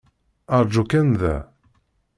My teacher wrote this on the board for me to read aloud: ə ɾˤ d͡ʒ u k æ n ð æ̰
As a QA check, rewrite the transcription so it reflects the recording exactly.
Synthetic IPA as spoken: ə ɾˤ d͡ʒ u k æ n ð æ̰